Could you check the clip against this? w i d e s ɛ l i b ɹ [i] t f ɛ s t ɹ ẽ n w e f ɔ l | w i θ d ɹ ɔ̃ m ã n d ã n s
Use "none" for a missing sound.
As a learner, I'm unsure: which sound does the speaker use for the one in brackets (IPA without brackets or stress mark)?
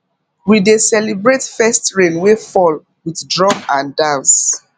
e